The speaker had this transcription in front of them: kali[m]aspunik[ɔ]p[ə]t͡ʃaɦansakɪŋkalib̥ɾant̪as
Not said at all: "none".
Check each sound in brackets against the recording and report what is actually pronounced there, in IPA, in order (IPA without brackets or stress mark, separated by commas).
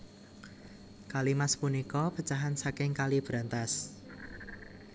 m, ɔ, ə